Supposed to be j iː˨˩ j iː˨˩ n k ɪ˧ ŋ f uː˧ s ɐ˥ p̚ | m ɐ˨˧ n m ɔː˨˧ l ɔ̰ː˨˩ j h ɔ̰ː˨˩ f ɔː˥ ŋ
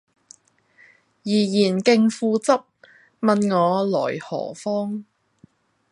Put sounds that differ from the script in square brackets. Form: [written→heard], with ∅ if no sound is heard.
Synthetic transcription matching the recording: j iː˨˩ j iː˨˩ n k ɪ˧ ŋ f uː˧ [s→t͡s] ɐ˥ p̚ | m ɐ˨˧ n [m→ŋ] ɔː˨˧ l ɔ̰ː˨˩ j h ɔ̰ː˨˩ f ɔː˥ ŋ